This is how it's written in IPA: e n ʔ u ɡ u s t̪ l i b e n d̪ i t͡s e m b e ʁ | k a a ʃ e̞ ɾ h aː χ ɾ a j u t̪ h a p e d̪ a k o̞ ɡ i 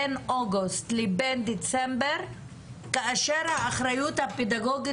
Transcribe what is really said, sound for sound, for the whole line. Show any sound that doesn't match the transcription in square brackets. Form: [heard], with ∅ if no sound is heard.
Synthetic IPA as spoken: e n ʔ [o] ɡ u s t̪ l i b e n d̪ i t͡s e m b e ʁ | k a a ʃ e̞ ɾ h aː χ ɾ a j u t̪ h a p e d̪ a [ɡ] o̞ ɡ i